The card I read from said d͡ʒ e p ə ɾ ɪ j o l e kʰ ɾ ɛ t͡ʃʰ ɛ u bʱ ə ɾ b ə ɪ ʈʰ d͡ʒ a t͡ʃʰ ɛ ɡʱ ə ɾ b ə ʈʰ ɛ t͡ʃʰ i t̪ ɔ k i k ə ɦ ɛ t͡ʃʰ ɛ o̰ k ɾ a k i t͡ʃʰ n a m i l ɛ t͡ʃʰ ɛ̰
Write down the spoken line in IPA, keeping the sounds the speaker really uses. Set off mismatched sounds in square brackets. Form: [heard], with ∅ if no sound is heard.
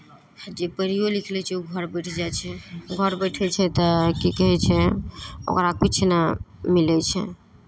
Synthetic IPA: d͡ʒ e p ə ɾ [i] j o l [i] kʰ [l] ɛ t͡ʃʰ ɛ u [ɡʱ] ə ɾ b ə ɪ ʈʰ d͡ʒ a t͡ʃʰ ɛ ɡʱ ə ɾ b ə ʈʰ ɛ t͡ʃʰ [ɛ] t̪ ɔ k i k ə ɦ ɛ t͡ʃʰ ɛ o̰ k ɾ a k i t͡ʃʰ n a m i l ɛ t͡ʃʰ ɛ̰